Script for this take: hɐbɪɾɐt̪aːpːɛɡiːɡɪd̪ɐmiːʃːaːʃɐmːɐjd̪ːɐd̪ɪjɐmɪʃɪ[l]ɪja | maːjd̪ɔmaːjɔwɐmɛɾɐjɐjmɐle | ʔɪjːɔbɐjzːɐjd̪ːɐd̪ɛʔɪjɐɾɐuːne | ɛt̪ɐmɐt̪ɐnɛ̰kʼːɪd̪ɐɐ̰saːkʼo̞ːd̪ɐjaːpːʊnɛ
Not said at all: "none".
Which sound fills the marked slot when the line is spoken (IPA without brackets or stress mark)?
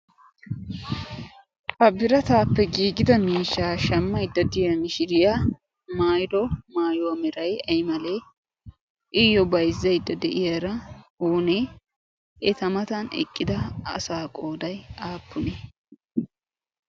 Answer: ɾ